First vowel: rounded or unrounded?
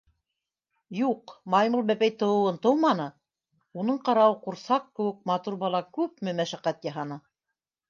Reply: rounded